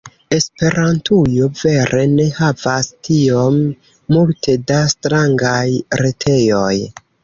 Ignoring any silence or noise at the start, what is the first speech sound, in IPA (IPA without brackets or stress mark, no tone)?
e̞